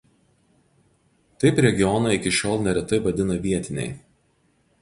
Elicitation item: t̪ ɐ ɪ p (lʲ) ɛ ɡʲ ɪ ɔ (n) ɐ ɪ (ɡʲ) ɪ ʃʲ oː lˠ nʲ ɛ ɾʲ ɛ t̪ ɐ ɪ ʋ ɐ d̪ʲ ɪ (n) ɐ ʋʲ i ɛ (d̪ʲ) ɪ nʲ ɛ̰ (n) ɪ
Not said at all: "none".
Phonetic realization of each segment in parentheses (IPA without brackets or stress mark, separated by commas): ɾʲ, n, kʲ, n, t̪ʲ, none